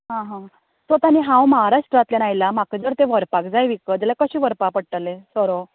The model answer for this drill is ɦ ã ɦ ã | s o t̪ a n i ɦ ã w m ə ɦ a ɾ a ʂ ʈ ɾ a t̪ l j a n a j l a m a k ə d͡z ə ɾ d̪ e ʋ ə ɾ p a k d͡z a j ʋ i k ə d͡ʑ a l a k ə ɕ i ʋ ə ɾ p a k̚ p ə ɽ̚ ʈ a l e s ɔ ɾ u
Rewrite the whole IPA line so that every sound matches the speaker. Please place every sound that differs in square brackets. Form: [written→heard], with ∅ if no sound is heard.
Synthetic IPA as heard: ɦ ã ɦ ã | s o t̪ a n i ɦ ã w m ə ɦ a ɾ a ʂ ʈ ɾ a t̪ l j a n a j l a m a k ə d͡z ə ɾ [d̪→t̪] e ʋ ə ɾ p a k d͡z a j ʋ i k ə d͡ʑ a l a k ə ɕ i ʋ ə ɾ p a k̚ p ə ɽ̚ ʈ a l e s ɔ ɾ [u→o]